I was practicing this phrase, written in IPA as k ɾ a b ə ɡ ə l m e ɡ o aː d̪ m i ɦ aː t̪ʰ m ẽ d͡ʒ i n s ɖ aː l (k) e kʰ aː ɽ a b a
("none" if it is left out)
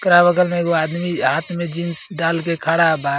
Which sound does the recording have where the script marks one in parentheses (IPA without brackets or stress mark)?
k